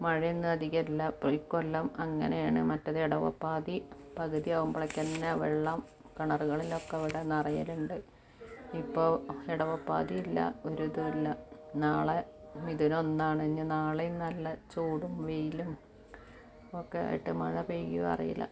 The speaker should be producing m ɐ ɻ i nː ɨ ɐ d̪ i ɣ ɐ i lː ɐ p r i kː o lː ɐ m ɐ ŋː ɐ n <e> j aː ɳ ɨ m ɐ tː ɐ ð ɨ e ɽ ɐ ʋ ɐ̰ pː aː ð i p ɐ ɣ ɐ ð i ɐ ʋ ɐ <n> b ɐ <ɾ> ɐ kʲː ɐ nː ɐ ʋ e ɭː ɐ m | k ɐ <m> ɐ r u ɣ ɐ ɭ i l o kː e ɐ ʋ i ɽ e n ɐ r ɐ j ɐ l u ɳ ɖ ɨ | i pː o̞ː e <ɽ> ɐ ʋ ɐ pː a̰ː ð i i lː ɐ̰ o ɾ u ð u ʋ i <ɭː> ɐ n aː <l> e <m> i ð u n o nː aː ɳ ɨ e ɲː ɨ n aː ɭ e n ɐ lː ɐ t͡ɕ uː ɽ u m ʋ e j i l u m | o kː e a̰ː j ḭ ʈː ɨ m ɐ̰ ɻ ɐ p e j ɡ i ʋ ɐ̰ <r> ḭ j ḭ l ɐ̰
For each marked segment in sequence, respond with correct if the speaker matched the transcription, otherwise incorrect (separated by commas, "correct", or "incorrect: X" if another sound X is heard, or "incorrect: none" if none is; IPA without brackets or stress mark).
correct, incorrect: m, incorrect: ɭ, incorrect: ɳ, correct, incorrect: lː, incorrect: ɭ, correct, correct